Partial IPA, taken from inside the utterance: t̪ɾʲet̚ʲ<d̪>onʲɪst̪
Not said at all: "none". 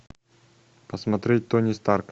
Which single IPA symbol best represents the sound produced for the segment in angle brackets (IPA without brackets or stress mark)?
t̪